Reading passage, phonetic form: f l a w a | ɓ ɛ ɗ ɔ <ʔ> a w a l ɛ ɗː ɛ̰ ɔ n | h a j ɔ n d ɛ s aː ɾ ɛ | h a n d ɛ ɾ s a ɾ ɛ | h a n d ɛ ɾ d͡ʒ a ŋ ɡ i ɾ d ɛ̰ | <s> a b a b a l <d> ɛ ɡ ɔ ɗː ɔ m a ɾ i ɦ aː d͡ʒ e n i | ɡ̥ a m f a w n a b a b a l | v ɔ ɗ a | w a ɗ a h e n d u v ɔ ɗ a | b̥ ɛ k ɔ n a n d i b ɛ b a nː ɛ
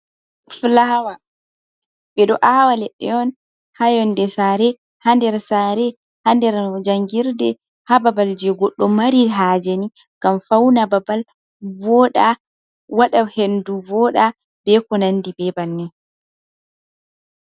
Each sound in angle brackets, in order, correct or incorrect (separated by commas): correct, incorrect, incorrect